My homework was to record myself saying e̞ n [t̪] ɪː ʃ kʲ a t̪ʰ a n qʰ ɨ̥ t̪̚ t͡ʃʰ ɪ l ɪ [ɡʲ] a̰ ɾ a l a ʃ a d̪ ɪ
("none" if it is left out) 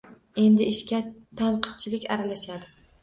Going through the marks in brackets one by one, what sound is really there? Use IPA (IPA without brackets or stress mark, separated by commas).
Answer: d̪, kʲ